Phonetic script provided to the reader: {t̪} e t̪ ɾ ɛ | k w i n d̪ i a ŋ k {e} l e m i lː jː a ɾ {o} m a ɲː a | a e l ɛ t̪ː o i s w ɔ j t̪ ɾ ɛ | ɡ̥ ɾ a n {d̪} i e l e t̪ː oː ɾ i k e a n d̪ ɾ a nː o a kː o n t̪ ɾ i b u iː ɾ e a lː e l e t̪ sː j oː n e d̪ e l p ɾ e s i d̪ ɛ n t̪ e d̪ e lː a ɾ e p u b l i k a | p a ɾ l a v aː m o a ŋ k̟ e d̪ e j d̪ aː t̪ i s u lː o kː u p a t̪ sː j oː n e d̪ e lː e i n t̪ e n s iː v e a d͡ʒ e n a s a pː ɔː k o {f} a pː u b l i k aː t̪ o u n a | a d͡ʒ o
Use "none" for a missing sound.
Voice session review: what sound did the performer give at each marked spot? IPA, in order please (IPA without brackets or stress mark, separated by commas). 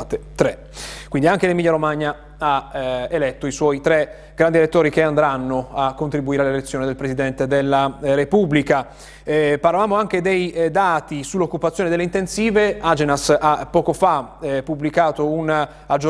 t̪, e, o, d̪, f